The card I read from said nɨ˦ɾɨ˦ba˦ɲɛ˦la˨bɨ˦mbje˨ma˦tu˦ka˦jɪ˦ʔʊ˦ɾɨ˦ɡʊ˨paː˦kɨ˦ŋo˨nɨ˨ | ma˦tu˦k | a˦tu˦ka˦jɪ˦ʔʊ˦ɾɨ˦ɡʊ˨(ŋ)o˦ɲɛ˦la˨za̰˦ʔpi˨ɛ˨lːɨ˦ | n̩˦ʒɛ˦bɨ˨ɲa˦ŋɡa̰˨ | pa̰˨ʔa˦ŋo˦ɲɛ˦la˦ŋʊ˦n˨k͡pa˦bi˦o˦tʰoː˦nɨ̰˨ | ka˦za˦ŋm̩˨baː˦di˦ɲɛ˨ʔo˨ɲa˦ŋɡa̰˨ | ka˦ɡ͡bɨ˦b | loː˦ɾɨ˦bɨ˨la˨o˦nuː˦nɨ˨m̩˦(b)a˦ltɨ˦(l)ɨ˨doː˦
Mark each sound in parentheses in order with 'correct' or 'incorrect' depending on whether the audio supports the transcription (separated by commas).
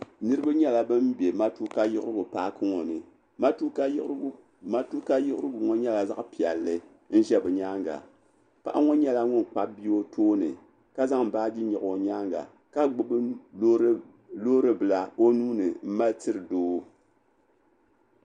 correct, incorrect, incorrect